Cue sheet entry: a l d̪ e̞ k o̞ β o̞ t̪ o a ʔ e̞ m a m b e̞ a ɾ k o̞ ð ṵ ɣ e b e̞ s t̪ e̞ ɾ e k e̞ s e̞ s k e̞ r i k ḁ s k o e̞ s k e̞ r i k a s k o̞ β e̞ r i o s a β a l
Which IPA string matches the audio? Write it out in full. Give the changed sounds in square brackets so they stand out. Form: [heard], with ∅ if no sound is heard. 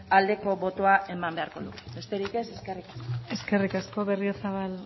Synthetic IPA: a l d̪ e̞ k o̞ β o̞ t̪ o a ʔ e̞ m a m b e̞ a ɾ k o̞ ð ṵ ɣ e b e̞ s t̪ e̞ ɾ [i] k e̞ s e̞ s k e̞ r i k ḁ s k o e̞ s k e̞ r i k a s k o̞ β e̞ r i o s a β a l